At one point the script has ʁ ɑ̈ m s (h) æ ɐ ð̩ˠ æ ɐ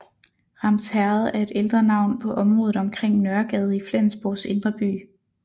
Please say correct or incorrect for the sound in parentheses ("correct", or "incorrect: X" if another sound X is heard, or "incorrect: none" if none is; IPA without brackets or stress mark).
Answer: correct